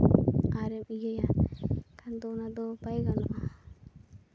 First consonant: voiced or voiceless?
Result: voiced